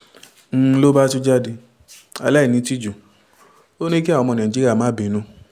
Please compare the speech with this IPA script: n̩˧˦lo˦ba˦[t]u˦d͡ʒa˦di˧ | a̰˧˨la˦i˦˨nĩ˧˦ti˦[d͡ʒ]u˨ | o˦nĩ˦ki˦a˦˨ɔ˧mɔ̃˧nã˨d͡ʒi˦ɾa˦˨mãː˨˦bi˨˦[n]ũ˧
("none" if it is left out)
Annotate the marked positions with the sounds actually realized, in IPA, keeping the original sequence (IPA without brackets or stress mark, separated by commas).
t, d͡ʒ, n